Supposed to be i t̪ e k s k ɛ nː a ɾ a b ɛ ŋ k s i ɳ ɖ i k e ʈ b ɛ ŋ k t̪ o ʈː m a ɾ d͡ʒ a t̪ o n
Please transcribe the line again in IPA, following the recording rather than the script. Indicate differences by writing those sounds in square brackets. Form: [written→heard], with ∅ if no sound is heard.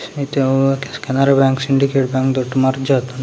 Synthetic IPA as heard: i t̪ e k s k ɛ [nː→n] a ɾ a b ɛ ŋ k s i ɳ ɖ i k e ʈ b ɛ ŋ k [t̪→d̪] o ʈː m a ɾ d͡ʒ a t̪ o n